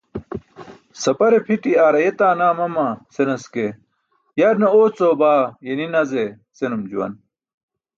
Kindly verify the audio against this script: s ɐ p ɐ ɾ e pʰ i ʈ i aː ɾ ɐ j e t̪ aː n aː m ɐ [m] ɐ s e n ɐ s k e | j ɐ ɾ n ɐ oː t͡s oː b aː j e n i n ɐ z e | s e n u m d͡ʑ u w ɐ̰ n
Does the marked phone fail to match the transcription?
no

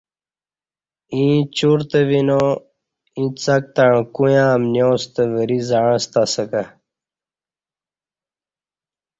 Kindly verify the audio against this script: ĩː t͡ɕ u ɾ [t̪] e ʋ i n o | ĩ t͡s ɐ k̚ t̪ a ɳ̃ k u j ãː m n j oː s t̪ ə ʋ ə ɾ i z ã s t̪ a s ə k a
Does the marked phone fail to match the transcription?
no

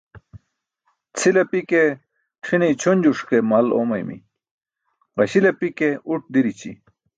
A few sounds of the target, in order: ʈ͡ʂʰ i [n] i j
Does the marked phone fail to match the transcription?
no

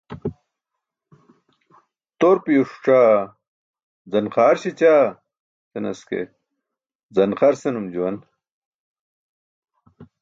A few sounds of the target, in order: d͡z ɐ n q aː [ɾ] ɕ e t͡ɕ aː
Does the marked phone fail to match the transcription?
no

